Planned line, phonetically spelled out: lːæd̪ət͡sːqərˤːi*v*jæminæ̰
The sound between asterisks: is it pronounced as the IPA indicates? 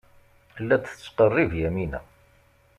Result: yes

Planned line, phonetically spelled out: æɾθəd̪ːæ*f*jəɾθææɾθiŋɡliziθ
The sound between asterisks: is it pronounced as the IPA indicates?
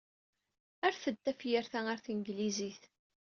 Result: yes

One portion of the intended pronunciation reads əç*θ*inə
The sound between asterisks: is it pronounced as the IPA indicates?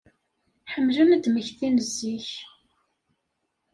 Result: yes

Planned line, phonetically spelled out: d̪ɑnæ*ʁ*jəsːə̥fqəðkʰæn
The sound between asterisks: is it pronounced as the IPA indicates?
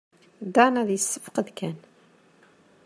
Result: no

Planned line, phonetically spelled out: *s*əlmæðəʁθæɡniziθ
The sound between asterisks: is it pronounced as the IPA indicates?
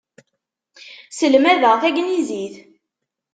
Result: yes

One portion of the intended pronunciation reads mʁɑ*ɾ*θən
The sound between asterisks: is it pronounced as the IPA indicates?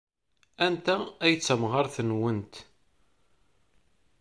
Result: yes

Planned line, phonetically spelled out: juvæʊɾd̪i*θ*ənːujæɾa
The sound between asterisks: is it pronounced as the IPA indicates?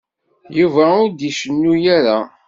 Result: no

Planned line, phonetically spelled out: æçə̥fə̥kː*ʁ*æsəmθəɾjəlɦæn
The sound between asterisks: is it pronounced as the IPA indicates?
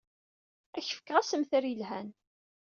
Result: yes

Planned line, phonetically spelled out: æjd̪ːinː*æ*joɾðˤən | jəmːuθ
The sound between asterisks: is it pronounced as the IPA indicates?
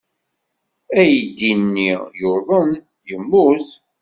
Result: no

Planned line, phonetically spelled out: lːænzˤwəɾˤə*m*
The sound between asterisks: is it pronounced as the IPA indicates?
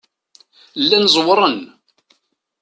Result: no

